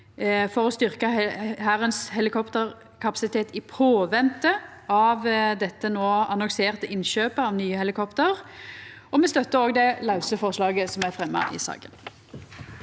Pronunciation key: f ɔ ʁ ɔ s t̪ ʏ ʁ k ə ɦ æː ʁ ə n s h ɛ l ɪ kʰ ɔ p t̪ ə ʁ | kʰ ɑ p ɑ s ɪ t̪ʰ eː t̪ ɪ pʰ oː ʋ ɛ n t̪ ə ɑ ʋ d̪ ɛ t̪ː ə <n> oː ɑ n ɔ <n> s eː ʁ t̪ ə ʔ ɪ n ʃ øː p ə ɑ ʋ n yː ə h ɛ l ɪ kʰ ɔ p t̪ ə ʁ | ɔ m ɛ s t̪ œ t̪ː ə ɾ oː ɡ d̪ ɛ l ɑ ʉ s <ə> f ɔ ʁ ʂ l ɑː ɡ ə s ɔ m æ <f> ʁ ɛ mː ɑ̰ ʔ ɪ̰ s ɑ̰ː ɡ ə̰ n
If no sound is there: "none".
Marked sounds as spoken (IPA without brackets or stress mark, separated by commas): n, ŋ, ə, f